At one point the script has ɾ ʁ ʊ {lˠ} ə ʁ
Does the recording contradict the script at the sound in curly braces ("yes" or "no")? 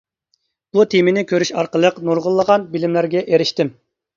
yes